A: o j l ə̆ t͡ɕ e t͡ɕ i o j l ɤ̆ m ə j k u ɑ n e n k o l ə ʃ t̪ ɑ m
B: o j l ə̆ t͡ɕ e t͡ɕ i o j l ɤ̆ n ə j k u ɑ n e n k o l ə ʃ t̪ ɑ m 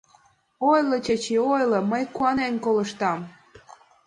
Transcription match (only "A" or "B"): A